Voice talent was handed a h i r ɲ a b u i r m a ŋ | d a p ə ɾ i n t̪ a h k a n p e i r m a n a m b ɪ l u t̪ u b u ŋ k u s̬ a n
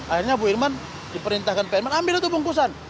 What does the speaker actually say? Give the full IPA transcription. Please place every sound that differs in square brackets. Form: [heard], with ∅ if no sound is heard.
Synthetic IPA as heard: a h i r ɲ a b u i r m a [n] | d [i] p ə ɾ i n t̪ a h k a n p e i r m a n a m b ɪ l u t̪ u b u ŋ k u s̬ a n